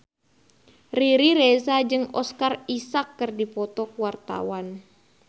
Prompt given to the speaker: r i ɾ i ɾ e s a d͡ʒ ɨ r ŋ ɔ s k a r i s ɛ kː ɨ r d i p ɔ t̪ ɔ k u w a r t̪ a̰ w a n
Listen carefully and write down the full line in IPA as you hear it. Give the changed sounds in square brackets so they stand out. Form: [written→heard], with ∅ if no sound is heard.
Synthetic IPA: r i ɾ i ɾ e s a d͡ʒ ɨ [r→∅] ŋ ɔ s k a r i s [ɛ→a] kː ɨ r d i p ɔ t̪ ɔ k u w a r t̪ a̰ w a n